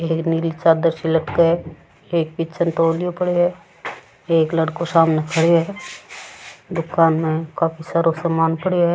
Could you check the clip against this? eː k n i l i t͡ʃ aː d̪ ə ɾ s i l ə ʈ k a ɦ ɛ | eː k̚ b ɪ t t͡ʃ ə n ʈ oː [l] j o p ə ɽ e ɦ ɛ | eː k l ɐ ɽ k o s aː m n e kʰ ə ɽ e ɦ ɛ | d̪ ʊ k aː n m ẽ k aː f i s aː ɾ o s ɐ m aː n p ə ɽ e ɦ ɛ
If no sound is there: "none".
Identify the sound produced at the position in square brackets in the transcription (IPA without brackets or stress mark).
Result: l